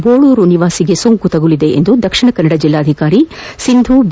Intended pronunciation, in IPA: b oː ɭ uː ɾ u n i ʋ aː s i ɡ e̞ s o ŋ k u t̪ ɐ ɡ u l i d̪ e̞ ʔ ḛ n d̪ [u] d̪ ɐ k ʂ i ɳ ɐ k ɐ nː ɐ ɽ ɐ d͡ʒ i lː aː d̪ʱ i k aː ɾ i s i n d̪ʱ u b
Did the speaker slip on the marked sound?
no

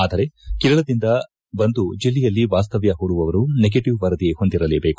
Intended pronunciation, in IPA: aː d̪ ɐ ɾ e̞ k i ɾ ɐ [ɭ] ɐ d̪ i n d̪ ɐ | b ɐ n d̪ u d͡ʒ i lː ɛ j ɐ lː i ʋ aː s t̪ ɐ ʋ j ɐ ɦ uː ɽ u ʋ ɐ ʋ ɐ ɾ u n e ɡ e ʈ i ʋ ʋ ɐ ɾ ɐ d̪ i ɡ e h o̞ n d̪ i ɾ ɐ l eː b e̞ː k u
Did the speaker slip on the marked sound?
no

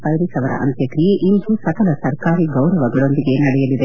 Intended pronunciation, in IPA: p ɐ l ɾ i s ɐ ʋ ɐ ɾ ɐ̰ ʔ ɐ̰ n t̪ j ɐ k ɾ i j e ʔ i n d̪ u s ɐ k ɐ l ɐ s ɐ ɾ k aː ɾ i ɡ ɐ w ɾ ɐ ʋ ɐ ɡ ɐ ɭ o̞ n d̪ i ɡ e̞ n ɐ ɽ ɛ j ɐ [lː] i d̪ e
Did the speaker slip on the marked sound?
yes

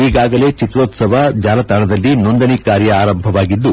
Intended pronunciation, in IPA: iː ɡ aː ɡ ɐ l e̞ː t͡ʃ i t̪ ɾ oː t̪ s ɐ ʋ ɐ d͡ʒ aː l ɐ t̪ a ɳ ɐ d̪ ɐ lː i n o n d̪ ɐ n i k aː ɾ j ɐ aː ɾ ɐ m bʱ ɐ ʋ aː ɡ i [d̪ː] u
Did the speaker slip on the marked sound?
no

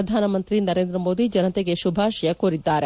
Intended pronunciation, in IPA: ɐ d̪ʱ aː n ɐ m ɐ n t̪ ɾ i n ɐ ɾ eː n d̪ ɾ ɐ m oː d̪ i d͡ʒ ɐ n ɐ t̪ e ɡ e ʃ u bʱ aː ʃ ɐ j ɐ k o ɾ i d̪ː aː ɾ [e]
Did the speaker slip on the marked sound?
no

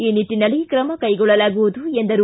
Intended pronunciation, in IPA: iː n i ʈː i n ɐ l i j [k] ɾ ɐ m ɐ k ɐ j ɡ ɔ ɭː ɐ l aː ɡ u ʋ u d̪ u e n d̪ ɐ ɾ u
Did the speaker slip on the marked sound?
no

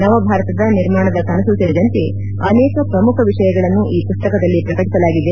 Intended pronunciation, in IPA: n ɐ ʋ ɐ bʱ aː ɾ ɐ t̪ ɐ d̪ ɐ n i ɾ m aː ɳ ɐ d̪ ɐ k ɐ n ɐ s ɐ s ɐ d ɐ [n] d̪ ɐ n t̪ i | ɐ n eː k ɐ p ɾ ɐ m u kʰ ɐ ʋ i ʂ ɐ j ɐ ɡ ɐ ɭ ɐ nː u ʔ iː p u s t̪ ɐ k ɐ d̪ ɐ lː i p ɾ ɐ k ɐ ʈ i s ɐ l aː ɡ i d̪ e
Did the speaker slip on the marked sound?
yes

